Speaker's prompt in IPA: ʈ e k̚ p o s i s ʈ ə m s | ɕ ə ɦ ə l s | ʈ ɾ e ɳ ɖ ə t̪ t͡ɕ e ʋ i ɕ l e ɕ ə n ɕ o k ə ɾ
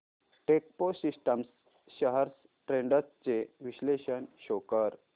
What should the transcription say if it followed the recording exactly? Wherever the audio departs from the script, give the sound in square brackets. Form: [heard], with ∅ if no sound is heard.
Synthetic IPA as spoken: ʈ e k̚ p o s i s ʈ ə m s | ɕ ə ɦ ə [ɾ] s | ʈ ɾ e ɳ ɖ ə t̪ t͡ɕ e ʋ i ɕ l e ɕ ə n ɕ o k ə ɾ